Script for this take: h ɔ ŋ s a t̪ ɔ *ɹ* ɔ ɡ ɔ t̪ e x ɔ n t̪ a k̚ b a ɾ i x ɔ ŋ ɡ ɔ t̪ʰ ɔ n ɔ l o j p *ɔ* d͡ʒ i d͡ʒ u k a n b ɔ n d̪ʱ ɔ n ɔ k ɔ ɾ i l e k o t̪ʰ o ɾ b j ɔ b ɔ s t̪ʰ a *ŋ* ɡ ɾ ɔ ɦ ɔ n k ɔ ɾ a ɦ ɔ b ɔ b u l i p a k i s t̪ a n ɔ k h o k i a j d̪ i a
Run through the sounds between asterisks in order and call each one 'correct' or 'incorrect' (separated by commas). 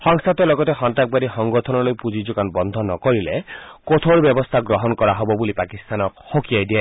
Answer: incorrect, incorrect, incorrect